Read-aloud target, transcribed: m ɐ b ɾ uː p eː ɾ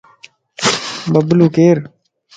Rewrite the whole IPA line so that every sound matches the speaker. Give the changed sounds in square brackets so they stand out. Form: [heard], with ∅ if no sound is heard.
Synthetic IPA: [b] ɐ b [l] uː [k] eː ɾ